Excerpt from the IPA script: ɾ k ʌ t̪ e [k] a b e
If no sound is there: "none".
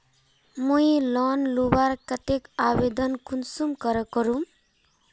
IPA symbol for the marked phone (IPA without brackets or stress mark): k